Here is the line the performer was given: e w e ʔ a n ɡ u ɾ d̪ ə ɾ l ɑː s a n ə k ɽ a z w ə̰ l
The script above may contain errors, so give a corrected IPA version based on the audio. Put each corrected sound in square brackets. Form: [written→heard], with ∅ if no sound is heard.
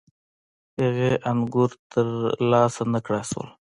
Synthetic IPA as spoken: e [w→ɣ] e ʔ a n ɡ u ɾ [d̪→t̪] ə ɾ l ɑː s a n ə k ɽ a [z→s] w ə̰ l